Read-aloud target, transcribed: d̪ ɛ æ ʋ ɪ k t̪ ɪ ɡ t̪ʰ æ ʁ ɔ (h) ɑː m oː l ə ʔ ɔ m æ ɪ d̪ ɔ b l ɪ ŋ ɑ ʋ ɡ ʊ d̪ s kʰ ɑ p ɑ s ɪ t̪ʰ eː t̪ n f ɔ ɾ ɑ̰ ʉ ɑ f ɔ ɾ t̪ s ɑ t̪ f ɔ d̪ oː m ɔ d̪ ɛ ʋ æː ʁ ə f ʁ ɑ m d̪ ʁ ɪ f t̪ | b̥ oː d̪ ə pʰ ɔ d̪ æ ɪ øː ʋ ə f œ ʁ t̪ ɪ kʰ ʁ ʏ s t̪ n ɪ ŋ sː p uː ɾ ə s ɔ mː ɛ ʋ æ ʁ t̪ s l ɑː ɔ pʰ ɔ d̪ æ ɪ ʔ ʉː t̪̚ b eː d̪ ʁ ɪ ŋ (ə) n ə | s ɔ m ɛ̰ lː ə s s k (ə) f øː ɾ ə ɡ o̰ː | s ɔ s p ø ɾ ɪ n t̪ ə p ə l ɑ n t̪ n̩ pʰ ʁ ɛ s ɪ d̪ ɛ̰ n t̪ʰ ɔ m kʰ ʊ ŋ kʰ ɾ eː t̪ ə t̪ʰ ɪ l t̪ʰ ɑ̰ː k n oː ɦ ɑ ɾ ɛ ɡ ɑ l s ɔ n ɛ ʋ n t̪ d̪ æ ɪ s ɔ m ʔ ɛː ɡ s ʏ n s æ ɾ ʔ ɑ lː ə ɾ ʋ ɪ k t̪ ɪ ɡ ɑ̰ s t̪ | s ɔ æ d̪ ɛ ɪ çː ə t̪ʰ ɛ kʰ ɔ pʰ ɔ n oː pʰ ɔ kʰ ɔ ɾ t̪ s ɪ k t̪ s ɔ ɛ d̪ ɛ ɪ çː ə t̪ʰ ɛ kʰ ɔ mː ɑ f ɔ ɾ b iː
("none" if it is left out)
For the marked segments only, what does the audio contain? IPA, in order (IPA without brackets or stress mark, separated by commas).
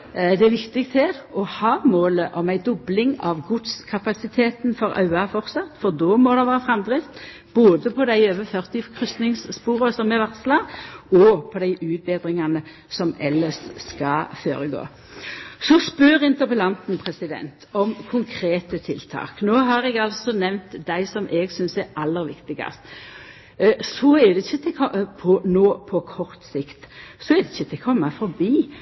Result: h, ɑ, ɑ